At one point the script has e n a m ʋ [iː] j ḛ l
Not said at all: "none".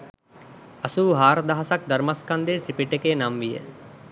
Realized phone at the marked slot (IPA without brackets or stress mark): i